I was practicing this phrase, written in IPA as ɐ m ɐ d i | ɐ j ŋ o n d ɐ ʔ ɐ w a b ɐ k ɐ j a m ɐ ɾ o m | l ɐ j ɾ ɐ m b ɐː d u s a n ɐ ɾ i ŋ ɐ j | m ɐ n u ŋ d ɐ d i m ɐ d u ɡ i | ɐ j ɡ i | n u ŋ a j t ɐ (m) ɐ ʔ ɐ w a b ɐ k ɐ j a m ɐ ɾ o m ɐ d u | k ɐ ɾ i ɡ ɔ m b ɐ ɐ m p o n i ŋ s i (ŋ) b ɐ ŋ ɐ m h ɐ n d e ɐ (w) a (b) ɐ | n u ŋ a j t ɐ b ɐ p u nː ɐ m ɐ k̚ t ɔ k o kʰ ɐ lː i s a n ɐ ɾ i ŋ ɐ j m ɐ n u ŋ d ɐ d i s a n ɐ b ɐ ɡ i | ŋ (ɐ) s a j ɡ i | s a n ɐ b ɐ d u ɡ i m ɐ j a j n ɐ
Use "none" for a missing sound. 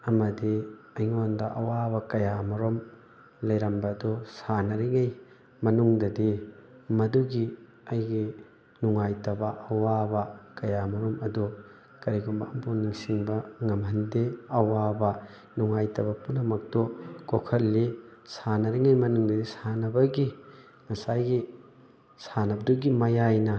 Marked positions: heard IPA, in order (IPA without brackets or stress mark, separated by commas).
b, ŋ, w, b, ɐ